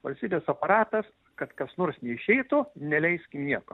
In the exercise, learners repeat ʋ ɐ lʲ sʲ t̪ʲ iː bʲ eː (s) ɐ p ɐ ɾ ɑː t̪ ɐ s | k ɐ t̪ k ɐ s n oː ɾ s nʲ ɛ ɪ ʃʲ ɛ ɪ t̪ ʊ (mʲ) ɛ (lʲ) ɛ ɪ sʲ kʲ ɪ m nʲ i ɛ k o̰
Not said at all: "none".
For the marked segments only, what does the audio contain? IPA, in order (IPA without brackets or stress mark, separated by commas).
s, nʲ, lʲ